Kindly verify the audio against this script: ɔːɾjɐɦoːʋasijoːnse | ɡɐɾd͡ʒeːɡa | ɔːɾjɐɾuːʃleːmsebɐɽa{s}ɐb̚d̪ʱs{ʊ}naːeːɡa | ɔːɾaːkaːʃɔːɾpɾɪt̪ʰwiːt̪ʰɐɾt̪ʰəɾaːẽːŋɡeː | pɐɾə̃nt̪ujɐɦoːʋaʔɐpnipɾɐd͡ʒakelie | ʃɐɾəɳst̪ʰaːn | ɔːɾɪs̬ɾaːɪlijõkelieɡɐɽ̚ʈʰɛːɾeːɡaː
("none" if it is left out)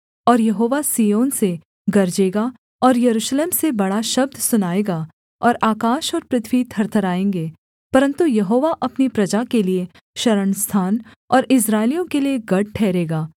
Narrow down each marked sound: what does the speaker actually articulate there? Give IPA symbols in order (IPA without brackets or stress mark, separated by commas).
ʃ, ʊ